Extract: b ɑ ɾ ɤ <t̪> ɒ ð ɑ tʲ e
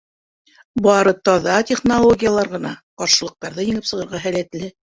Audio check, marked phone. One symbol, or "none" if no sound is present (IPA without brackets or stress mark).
t̪